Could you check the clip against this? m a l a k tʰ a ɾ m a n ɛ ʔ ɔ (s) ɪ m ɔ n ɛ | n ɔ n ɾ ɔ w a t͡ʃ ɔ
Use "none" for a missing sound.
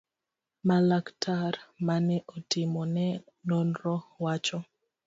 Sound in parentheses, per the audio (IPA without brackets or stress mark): t